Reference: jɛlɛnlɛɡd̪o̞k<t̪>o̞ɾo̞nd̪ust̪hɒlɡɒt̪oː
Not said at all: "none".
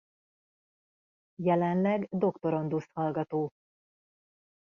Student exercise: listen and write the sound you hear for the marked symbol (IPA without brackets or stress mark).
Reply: t̪